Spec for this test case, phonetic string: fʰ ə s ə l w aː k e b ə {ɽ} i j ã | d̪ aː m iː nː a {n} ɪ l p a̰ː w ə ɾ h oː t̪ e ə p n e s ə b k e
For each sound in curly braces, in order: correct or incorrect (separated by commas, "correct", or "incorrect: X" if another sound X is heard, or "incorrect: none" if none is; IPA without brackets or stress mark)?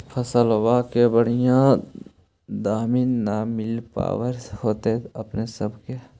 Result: correct, incorrect: m